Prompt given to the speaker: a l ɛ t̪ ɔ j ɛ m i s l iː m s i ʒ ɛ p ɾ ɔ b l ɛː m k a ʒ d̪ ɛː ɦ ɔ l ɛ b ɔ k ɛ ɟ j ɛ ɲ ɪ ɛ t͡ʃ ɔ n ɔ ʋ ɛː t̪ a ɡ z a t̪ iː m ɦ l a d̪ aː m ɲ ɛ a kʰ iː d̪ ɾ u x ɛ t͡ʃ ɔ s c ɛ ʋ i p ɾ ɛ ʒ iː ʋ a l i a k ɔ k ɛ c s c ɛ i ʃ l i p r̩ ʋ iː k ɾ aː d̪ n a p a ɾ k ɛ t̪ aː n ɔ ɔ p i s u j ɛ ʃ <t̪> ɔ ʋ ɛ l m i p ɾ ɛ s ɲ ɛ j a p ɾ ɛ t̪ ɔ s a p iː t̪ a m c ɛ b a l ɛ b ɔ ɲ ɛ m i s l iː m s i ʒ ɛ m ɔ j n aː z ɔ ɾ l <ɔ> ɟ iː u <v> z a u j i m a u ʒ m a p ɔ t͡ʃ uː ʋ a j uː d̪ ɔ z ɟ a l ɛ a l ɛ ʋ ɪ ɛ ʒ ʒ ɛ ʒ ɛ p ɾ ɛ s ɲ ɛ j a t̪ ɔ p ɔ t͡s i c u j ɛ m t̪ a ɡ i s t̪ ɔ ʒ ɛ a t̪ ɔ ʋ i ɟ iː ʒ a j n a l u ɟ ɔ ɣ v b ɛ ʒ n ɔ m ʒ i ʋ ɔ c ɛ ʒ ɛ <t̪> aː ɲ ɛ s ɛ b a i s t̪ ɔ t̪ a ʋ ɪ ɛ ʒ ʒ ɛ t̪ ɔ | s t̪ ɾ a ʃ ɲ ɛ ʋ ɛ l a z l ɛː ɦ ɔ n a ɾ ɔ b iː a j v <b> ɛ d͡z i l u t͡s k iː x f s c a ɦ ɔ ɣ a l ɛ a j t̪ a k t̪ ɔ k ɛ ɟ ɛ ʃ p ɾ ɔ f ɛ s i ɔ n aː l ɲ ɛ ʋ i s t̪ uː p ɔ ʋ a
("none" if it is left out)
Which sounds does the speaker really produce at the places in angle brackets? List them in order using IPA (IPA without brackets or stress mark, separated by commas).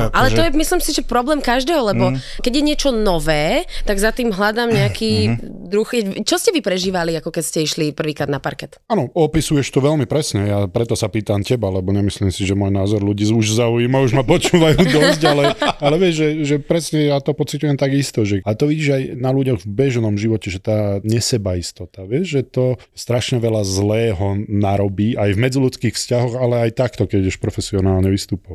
t̪, u, ʒ, t̪, m